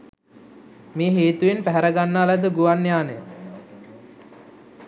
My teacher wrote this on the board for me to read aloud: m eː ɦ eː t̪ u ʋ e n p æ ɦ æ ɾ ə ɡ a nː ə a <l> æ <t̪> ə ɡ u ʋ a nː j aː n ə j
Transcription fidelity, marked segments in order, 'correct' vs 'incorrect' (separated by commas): correct, incorrect